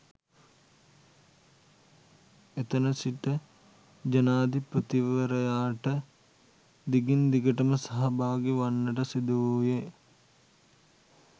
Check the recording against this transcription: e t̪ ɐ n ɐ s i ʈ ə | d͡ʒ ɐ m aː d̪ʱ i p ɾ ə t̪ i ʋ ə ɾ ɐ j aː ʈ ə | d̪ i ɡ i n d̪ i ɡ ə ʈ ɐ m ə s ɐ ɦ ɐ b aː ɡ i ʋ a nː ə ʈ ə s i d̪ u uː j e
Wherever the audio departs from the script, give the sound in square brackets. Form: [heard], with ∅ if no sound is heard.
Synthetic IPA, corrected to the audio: e t̪ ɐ n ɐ s i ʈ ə | d͡ʒ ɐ [n] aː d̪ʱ i p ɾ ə t̪ i ʋ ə ɾ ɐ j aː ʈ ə | d̪ i ɡ i n d̪ i ɡ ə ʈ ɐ m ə s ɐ ɦ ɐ b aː ɡ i ʋ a nː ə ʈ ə s i d̪ u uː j e